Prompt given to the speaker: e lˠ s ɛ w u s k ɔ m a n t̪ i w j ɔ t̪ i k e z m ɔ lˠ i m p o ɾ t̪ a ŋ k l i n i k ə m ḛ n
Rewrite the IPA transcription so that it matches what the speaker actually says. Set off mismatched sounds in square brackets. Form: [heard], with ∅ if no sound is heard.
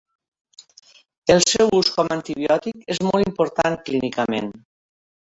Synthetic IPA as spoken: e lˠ s ɛ w u s k ɔ m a n t̪ i [β] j ɔ t̪ i k e z m ɔ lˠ i m p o ɾ t̪ a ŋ k l i n i k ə m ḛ n